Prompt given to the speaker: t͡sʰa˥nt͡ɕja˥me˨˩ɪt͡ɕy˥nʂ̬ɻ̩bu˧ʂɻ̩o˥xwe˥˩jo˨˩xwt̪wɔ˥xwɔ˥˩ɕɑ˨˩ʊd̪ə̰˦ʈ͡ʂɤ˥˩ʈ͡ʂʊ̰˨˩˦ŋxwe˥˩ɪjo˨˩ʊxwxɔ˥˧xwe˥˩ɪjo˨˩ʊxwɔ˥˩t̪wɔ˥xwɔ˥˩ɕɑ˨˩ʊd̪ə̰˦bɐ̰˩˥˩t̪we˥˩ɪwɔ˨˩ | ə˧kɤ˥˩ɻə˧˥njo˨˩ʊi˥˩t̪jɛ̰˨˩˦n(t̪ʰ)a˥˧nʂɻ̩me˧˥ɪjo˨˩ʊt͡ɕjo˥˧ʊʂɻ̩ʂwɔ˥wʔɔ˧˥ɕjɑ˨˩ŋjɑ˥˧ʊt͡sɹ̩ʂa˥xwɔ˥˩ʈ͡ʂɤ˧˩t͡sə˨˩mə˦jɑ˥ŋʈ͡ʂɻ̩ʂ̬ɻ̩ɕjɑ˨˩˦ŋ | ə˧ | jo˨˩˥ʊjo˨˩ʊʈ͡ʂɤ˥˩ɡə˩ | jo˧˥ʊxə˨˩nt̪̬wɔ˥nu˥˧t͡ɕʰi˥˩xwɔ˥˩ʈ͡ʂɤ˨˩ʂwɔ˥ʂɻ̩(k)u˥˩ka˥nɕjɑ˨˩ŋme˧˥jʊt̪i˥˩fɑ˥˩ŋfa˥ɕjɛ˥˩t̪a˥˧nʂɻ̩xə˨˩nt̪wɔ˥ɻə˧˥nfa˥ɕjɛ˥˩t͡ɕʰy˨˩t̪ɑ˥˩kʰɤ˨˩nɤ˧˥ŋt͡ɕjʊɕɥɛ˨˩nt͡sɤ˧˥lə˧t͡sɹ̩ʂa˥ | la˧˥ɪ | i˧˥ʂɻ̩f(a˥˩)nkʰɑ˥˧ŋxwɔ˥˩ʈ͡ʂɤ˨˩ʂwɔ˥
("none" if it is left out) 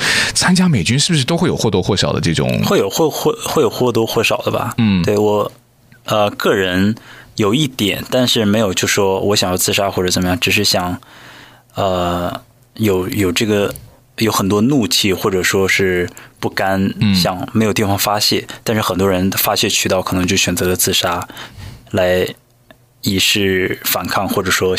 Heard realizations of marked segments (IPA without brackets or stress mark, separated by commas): t̪, p, a˨˩